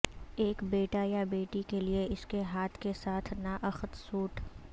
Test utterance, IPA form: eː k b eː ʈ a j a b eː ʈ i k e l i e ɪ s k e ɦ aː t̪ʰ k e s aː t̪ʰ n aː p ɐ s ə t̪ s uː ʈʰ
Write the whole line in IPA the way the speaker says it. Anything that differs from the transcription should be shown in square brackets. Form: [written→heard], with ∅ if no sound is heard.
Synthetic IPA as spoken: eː k b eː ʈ a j a b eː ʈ i k e l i e ɪ s k e ɦ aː t̪ʰ k e s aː t̪ʰ n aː [p→ʔ] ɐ [s→x] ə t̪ s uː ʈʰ